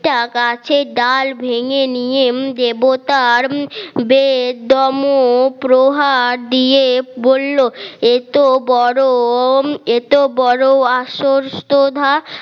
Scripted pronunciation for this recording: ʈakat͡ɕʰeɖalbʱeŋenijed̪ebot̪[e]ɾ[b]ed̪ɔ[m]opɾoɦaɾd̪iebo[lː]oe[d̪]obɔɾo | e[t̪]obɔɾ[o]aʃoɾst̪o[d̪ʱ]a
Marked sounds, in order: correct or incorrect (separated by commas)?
incorrect, correct, correct, correct, incorrect, correct, correct, correct